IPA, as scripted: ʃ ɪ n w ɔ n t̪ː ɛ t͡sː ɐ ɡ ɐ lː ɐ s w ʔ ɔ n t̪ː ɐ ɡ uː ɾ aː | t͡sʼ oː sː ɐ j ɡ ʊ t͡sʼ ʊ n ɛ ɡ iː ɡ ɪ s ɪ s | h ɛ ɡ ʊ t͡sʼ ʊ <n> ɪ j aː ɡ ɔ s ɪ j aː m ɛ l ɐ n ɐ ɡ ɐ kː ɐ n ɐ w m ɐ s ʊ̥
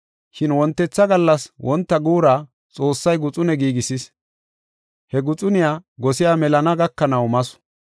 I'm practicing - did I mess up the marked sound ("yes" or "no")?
no